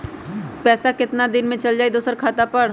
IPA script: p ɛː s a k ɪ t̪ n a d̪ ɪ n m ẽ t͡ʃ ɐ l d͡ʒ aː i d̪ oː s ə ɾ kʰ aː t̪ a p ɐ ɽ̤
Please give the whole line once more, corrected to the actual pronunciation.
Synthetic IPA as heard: p ɛː s a k ɪ t̪ n a d̪ ɪ n m ẽ t͡ʃ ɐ l d͡ʒ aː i d̪ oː s ə ɾ kʰ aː t̪ a p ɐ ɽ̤